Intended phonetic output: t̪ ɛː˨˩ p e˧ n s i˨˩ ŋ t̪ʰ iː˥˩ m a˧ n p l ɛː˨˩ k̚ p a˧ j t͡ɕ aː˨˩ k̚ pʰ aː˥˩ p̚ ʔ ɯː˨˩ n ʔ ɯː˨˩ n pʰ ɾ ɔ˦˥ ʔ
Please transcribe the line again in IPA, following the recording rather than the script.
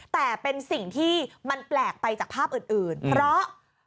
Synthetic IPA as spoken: t̪ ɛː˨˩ p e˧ n s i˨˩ ŋ t̪ʰ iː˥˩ m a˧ n p l ɛː˨˩ k̚ p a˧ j t͡ɕ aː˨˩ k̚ pʰ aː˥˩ p̚ ʔ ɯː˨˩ n ʔ ɯː˨˩ n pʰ ɾ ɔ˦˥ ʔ